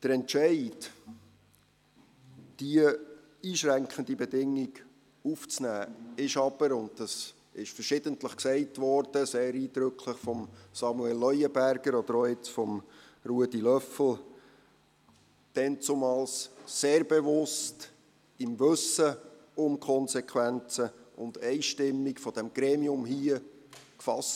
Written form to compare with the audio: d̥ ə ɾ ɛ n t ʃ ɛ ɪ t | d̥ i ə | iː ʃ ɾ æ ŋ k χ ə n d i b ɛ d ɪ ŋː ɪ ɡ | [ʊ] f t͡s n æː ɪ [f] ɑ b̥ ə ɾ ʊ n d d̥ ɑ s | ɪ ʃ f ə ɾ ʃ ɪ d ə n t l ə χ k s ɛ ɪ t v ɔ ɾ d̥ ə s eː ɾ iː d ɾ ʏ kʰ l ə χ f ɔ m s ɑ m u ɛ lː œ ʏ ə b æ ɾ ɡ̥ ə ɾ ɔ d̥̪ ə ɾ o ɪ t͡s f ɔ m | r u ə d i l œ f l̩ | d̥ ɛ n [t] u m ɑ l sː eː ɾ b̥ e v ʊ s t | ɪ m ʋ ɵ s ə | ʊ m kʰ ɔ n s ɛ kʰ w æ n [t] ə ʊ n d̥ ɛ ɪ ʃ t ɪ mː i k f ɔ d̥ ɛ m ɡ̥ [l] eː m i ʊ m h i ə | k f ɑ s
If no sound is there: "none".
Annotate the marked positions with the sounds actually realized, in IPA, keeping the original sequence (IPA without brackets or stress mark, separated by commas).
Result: u, ʃ, t͡s, t͡s, ɾ